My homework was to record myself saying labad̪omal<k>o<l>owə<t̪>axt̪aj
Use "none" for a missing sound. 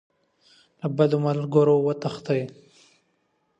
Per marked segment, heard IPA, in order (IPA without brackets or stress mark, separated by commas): ɡ, ɾ, t̪